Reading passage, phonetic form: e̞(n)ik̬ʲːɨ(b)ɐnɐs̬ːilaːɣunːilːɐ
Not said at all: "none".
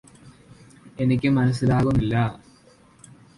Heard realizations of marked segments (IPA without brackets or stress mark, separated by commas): n, m